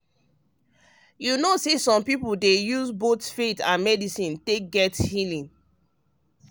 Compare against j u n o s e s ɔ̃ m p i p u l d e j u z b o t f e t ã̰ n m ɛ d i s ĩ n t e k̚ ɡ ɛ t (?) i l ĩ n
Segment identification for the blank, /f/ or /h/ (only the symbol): h